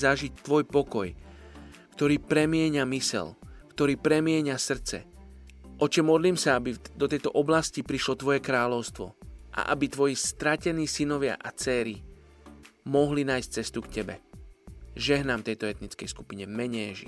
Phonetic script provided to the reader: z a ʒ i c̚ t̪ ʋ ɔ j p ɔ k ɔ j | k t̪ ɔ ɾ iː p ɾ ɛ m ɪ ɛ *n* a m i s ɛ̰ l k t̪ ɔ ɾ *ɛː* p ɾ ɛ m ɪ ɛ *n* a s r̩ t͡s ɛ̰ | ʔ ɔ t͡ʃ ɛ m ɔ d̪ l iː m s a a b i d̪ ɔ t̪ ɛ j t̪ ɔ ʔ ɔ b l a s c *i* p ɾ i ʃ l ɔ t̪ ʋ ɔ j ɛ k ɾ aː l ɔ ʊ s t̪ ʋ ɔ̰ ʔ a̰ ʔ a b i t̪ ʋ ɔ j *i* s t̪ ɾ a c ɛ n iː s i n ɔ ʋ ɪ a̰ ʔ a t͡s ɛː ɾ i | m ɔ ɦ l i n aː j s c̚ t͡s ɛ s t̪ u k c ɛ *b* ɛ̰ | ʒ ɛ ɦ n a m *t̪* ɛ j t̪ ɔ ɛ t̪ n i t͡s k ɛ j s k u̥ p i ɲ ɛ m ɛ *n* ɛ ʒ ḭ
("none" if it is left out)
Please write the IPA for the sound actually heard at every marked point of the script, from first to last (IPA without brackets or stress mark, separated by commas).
ɲ, iː, ɲ, i, i, b, t̪, ɲ